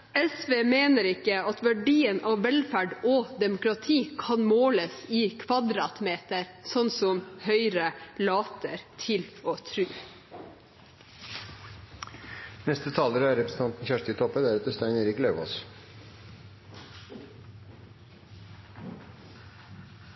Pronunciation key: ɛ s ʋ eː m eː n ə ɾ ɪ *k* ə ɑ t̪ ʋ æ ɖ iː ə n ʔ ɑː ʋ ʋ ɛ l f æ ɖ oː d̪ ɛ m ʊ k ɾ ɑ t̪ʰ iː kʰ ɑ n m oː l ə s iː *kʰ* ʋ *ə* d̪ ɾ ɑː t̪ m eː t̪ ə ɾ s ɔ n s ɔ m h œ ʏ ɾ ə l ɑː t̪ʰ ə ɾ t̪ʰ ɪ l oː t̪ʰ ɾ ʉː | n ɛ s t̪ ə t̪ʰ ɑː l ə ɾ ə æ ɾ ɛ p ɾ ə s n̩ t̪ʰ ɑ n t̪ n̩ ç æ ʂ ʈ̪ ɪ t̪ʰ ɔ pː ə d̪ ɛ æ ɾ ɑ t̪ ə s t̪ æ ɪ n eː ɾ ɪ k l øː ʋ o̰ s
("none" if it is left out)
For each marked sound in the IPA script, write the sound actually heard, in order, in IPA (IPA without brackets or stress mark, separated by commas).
k, kʰ, ɑ